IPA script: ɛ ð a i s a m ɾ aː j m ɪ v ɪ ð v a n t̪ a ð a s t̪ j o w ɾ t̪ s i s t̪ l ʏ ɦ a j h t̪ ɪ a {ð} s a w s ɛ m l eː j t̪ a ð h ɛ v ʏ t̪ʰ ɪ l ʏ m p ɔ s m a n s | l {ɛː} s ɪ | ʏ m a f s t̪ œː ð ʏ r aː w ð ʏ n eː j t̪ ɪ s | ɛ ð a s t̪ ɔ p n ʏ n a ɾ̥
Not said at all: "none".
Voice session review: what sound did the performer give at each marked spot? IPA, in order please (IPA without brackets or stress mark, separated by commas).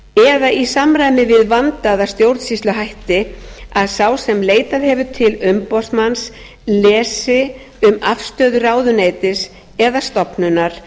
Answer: ð, ɛː